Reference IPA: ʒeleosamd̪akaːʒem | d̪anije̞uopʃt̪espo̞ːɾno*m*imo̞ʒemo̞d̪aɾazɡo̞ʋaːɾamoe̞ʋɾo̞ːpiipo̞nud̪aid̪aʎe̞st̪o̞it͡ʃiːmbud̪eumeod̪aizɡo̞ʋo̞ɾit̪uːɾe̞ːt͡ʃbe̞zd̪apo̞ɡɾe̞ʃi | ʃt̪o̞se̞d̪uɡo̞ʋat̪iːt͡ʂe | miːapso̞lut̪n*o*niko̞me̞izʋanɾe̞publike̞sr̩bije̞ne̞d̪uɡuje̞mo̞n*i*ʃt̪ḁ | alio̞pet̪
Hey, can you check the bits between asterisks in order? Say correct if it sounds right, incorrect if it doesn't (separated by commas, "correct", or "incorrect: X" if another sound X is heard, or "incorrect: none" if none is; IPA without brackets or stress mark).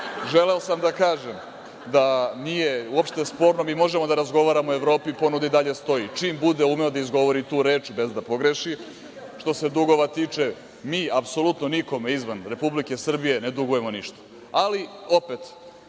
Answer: correct, correct, correct